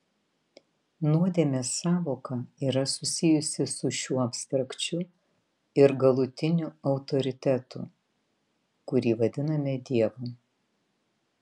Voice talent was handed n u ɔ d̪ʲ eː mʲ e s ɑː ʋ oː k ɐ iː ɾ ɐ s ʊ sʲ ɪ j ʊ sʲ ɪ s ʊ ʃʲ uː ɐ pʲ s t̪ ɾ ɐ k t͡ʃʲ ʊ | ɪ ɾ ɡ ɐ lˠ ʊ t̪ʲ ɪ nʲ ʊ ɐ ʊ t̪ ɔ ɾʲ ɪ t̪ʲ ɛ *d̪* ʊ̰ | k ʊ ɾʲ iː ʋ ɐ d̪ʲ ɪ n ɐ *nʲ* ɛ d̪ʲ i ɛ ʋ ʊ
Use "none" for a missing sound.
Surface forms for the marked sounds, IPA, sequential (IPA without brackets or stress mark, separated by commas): t̪, mʲ